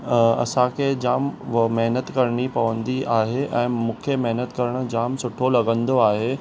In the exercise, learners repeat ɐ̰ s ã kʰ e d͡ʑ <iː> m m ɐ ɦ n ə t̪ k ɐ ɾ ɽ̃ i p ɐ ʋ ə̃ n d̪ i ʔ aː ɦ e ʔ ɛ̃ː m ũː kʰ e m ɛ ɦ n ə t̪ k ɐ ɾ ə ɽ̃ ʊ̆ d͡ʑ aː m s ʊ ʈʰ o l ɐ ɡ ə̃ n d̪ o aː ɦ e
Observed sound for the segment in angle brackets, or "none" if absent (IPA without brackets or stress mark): aː